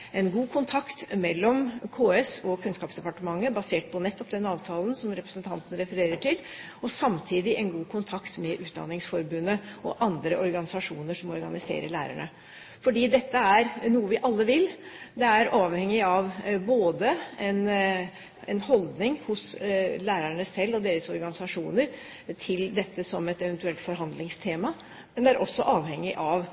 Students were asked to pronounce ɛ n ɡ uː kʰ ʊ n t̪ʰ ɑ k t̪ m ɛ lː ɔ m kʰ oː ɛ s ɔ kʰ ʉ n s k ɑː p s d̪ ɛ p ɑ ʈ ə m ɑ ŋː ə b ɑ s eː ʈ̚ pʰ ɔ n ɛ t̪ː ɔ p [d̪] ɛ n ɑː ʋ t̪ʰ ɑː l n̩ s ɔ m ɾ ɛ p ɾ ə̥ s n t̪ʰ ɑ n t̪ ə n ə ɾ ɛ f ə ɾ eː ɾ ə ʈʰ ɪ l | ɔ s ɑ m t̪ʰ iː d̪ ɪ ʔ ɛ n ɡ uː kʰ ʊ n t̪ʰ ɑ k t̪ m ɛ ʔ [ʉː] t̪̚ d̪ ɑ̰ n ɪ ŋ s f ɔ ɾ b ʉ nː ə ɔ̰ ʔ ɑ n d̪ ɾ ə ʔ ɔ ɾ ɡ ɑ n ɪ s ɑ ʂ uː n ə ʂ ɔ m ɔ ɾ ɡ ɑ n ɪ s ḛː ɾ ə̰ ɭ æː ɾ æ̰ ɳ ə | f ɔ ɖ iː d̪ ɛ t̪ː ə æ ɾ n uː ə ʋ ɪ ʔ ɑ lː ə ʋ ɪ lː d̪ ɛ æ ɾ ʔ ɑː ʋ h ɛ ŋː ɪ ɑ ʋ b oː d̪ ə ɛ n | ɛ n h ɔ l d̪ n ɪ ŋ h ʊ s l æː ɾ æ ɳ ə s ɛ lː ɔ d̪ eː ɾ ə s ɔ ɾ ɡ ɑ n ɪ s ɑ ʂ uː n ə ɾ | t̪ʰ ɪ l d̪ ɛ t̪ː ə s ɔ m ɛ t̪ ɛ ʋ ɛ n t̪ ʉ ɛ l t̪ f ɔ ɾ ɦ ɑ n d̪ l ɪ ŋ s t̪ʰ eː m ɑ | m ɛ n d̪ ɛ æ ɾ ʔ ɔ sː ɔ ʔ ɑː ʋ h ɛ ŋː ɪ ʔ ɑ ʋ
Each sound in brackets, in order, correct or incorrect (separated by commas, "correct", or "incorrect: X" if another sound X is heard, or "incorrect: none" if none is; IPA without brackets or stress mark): correct, correct